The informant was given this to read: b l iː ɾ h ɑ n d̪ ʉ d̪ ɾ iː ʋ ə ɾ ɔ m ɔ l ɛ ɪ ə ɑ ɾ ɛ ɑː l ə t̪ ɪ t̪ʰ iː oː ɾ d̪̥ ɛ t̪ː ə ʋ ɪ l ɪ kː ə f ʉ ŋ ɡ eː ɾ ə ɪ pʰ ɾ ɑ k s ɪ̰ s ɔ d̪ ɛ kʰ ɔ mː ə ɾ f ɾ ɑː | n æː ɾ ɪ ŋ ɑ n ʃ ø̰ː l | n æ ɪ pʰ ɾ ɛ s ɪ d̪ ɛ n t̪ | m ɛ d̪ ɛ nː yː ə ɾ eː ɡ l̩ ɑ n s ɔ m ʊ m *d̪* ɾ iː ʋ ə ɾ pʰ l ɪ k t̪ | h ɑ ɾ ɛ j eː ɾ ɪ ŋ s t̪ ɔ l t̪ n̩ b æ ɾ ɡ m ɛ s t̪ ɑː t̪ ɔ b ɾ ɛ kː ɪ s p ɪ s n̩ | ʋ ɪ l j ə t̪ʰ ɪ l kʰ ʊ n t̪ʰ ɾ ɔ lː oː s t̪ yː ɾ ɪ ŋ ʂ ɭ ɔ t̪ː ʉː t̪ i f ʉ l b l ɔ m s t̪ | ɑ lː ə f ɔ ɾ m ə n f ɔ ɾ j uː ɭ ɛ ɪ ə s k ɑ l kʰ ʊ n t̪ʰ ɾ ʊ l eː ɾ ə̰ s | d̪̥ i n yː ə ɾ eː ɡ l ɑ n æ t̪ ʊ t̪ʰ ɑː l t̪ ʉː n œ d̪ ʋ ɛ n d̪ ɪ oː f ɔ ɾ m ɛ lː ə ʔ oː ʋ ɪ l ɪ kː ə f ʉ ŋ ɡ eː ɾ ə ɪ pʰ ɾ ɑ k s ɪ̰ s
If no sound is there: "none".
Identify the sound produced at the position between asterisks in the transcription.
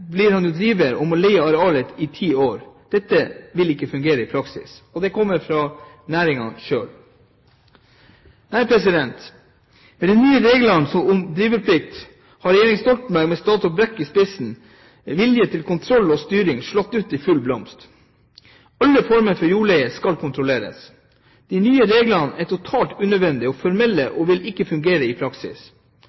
d̪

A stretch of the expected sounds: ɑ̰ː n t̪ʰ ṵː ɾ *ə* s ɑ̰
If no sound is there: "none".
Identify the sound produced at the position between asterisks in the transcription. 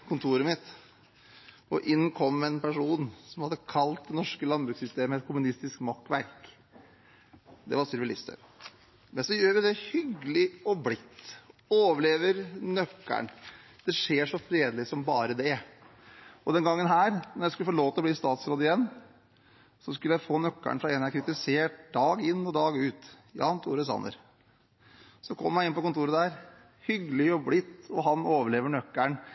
ə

